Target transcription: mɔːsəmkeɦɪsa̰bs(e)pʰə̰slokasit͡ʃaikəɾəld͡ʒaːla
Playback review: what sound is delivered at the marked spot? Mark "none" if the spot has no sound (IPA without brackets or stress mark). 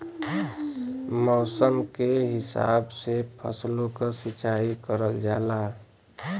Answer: e